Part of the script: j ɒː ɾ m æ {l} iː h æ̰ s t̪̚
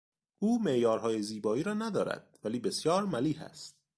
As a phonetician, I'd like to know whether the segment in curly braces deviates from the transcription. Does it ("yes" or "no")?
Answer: no